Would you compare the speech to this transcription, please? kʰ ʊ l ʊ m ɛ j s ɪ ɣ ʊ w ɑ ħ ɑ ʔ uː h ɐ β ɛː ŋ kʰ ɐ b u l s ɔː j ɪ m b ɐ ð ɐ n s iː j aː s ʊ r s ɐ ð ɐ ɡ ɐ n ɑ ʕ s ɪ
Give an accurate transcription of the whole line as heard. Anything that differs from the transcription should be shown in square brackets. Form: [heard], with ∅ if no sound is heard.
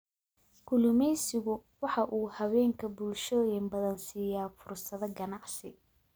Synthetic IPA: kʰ ʊ l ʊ m ɛ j s ɪ ɣ ʊ w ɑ ħ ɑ ʔ uː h ɐ β ɛː ŋ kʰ ɐ b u l [ʃ] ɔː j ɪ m b ɐ ð ɐ n s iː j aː [f] ʊ r s ɐ ð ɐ ɡ ɐ n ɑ ʕ s ɪ